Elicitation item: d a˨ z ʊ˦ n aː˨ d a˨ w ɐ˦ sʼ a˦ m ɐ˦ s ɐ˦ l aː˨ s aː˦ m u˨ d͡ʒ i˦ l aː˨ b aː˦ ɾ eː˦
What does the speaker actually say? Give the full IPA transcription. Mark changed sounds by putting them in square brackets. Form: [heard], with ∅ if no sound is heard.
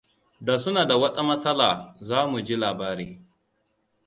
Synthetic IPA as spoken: d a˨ [s] ʊ˦ n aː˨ d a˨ w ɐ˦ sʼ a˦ m ɐ˦ s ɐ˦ l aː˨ [z] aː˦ m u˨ d͡ʒ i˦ l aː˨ b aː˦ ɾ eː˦